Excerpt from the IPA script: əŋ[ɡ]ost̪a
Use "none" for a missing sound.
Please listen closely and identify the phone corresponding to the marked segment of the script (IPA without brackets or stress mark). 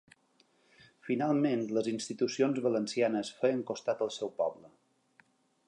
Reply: k